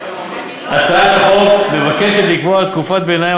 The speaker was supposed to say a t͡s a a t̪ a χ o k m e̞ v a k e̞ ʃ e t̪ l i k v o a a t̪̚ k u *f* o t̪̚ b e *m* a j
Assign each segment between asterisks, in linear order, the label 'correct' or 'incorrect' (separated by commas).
correct, incorrect